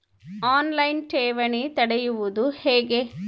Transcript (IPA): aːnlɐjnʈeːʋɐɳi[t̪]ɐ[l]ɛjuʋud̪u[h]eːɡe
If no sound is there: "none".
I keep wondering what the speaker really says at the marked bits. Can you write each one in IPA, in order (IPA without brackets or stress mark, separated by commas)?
t̪, ɽ, h